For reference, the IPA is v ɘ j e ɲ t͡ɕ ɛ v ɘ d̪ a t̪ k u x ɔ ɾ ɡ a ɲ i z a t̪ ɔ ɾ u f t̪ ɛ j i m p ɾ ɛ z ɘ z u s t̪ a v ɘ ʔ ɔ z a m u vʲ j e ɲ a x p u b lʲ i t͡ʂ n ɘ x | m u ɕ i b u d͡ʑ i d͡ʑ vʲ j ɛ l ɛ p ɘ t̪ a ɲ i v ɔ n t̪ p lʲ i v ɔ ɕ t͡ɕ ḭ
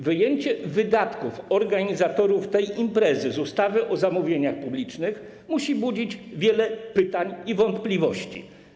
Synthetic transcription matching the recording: v ɘ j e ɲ t͡ɕ ɛ v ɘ d̪ a t̪ k u f ɔ ɾ ɡ a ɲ i z a t̪ ɔ ɾ u f t̪ ɛ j i m p ɾ ɛ z ɘ z u s t̪ a v ɘ ʔ ɔ z a m u vʲ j e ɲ a x p u b lʲ i t͡ʂ n ɘ x | m u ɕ i b u d͡ʑ i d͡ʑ vʲ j ɛ l ɛ p ɘ t̪ a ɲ i v ɔ n t̪ p lʲ i v ɔ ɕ t͡ɕ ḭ